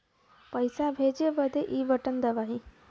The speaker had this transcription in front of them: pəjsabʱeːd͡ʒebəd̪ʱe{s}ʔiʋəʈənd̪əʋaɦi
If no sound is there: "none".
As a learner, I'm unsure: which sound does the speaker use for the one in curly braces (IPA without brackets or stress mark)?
none